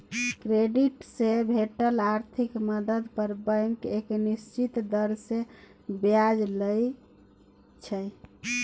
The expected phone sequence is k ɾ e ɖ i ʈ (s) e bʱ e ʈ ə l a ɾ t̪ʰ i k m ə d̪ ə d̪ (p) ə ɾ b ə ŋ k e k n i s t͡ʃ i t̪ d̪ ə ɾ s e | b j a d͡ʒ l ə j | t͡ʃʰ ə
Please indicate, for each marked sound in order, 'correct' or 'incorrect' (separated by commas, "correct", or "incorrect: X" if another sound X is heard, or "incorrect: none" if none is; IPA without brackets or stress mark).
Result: correct, correct